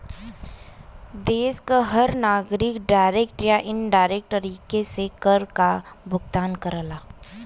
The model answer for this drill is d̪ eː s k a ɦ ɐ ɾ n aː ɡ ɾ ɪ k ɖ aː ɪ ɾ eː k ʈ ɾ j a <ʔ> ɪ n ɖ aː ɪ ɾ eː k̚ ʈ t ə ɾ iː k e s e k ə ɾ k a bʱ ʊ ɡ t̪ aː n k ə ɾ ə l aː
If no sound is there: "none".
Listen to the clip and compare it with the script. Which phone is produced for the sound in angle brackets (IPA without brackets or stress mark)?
ʔ